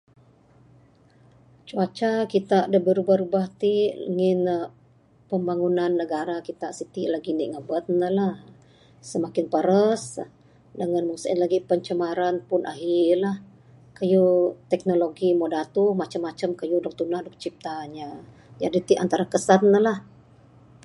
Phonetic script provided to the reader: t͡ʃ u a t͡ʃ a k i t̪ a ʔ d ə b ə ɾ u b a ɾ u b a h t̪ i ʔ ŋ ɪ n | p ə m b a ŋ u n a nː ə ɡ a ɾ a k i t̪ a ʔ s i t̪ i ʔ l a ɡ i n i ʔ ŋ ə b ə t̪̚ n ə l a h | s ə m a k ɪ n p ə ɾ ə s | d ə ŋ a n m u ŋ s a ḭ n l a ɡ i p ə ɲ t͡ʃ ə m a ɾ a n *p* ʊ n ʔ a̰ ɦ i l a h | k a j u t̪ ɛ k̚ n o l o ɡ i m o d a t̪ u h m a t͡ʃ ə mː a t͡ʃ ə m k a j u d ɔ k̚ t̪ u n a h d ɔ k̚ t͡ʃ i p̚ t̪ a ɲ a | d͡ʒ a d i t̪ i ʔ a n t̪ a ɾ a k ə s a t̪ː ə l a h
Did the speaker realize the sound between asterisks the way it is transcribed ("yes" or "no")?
yes